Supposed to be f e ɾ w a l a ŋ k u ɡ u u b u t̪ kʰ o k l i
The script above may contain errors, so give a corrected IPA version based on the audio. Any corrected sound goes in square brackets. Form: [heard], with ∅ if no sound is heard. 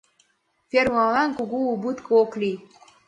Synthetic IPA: f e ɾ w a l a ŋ k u ɡ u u b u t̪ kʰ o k l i